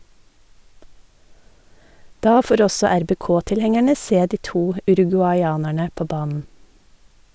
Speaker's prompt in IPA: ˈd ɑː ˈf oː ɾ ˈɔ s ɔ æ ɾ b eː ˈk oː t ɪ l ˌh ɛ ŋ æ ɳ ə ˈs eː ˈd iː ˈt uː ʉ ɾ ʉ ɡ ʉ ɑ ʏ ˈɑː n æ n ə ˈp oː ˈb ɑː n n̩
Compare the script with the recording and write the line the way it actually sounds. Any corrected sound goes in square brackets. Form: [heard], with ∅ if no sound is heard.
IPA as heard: ˈd ɑː ˈf oː ɾ ˈɔ s ɔ æ ɾ b eː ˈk oː t ɪ l ˌh ɛ ŋ æ ɳ ə ˈs eː ˈd iː ˈt uː ʉ ɾ ʉ ɡ ʉ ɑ ʏ ˈɑː n æ [ɳ] ə ˈp oː ˈb ɑː n n̩